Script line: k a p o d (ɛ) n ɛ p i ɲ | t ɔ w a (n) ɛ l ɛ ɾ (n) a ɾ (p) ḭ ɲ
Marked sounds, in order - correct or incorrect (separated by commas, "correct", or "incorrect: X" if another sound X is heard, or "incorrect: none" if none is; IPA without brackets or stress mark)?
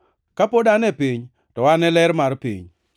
incorrect: a, correct, incorrect: m, correct